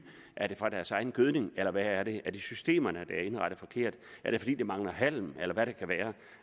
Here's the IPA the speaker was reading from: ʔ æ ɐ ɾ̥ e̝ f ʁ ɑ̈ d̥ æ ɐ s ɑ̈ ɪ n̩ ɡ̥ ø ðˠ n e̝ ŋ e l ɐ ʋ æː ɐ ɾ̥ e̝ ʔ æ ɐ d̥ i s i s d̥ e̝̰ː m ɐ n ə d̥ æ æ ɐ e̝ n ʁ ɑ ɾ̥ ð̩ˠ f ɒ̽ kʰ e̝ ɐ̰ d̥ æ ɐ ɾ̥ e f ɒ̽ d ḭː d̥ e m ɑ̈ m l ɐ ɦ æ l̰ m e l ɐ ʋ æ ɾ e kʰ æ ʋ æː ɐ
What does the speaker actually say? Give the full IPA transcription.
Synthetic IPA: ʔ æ ɐ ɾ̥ e̝ f ʁ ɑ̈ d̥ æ ɐ s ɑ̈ ɪ n̩ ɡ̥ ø ðˠ n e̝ ŋ e l ɐ ʋ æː ɐ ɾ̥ e̝ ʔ æ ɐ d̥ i s y s d̥ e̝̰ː m ɐ n ə d̥ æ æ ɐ e̝ n ʁ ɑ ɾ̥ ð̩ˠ f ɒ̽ kʰ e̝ ɐ̰ d̥ æ ɐ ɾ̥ e f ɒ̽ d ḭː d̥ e m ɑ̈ ŋ l ɐ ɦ æ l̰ m e l ɐ ʋ æ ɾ e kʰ æ ʋ æː ɐ

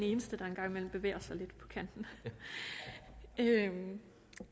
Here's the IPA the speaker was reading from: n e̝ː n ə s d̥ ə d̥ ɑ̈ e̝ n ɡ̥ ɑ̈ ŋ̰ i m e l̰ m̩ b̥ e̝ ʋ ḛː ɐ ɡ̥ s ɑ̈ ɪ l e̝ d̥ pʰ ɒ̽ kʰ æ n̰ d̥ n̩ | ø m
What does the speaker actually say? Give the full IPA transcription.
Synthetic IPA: n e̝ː n ə s d̥ ə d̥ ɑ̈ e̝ n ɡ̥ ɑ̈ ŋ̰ i m e l̰ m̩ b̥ e̝ ʋ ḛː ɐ s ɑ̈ ɪ l e̝ d̥ pʰ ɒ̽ kʰ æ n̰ d̥ n̩ | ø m

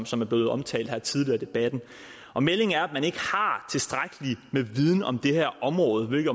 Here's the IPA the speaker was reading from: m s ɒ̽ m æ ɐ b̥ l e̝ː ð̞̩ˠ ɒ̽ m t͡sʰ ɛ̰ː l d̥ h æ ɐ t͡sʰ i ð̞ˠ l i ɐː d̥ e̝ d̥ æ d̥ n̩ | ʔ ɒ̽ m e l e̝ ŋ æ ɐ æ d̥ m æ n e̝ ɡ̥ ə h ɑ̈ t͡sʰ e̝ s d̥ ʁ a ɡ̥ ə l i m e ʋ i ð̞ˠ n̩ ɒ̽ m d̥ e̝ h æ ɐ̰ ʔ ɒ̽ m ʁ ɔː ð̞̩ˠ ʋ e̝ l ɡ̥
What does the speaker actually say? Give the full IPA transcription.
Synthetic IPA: m s ɒ̽ m æ ɐ b̥ l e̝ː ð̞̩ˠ ɒ̽ m t͡sʰ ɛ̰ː l d̥ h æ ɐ t͡sʰ i ð̞ˠ l i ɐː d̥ e̝ b̥ æ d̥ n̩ | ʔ ɒ̽ m e l e̝ ŋ æ ɐ æ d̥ m æ n e̝ ɡ̥ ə h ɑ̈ t͡sʰ e̝ s d̥ ʁ a ɡ̥ ə l i m e ʋ i ð̞ˠ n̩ ɒ̽ m d̥ e̝ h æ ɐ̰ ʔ ɒ̽ m ʁ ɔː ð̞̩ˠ ʋ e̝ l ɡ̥

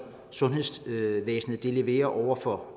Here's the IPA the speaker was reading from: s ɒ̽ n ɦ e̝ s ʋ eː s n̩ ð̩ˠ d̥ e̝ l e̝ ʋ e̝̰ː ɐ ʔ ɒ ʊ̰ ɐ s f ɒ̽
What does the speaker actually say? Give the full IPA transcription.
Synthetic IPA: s ɔ̽ n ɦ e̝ s ʋ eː s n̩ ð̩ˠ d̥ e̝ l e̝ ʋ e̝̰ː ɐ ʔ ɒ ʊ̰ ɐ f ɒ̽

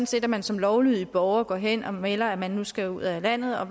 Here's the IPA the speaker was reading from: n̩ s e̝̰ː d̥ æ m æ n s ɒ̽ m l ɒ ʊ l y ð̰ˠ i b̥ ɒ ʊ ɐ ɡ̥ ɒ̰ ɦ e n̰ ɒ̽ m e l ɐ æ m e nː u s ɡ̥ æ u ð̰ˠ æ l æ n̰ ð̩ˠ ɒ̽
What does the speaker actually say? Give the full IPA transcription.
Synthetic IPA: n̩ s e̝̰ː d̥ æ m æ n s ɒ̽ m l ɒ ʊ l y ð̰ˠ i b̥ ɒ ʊ ɐ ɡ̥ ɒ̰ ɦ e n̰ ɒ̽ m e l ɐ æ m æ nː u s ɡ̥ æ u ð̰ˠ æ l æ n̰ ð̩ˠ ɒ̽

